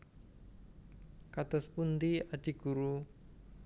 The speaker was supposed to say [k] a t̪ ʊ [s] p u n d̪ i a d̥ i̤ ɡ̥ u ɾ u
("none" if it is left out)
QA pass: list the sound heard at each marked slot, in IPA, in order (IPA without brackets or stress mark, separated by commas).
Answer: k, s